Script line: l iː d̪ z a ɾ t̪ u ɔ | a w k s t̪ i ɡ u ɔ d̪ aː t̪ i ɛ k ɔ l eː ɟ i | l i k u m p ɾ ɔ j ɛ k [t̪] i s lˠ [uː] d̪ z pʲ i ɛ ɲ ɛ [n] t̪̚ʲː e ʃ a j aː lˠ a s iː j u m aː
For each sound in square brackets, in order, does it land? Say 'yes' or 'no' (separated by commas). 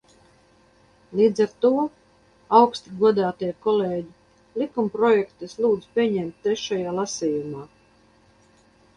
yes, yes, no